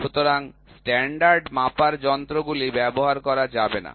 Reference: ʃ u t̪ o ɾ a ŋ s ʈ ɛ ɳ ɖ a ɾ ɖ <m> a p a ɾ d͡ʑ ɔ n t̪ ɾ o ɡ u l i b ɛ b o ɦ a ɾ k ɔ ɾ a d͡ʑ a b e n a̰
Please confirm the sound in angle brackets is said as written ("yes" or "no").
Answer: yes